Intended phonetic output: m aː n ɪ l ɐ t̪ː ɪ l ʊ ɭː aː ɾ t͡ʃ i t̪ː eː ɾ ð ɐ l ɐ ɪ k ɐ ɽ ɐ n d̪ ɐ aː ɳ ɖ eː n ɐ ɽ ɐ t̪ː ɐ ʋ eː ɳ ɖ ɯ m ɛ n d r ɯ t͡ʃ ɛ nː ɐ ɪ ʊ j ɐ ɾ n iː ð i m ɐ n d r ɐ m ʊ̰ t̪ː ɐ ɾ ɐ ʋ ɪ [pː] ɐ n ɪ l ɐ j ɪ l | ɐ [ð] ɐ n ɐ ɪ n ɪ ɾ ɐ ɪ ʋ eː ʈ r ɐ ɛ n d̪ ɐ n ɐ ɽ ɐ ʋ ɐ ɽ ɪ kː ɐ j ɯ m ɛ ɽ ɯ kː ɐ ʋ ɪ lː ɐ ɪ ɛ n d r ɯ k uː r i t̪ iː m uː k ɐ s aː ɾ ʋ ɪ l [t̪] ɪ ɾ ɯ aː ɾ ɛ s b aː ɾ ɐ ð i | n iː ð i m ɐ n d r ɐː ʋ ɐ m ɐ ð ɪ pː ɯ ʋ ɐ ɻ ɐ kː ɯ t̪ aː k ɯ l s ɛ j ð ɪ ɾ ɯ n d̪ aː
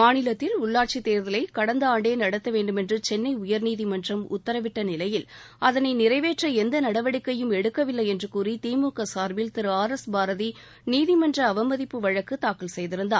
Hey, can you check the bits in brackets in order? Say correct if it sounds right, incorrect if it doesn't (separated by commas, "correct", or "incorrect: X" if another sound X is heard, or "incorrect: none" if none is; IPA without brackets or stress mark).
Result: incorrect: ʈː, correct, correct